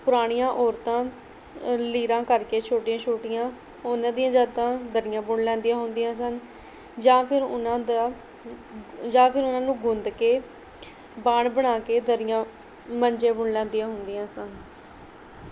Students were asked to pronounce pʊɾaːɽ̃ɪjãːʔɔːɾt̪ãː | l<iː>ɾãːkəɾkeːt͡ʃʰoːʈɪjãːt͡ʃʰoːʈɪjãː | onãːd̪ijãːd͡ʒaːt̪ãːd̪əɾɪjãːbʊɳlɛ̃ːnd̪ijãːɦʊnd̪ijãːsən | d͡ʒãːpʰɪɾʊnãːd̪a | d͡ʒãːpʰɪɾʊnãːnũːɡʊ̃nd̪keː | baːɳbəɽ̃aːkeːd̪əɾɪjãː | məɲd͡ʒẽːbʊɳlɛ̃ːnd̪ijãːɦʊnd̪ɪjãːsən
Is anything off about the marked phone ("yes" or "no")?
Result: no